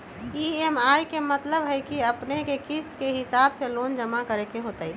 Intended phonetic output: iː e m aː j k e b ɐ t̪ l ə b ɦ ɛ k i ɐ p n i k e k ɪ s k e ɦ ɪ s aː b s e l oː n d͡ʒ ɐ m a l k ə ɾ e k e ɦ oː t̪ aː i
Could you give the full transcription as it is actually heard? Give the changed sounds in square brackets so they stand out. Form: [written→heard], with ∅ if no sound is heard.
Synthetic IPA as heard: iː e m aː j k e [b→m] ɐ t̪ l ə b ɦ ɛ k i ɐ p n [i→e] k e k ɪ s k e ɦ ɪ s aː b s e l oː n d͡ʒ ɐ m a [l→∅] k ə ɾ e k e ɦ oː t̪ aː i